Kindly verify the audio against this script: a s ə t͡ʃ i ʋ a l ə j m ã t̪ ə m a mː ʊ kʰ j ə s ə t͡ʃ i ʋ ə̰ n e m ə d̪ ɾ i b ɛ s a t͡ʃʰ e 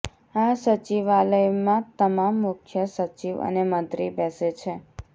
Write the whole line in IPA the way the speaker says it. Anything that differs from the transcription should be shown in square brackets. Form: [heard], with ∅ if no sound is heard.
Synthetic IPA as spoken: a s ə t͡ʃ i ʋ a l ə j m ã t̪ ə m a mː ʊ kʰ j ə s ə t͡ʃ i ʋ ə̰ n e m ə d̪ ɾ i b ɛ s [e] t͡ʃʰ e